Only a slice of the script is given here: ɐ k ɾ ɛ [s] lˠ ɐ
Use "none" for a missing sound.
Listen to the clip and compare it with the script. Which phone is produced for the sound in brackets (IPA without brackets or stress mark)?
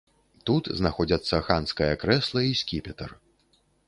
s